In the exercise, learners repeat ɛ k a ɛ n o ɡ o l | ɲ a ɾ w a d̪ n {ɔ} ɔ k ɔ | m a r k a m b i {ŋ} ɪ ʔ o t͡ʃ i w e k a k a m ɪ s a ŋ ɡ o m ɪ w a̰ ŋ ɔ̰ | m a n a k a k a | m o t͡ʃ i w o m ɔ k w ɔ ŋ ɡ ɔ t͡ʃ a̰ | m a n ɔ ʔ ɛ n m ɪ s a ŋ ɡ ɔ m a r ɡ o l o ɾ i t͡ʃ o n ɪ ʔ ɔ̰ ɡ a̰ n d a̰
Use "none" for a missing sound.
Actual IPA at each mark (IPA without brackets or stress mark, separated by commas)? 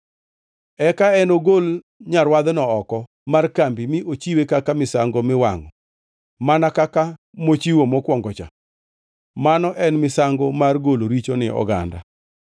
ɔ, m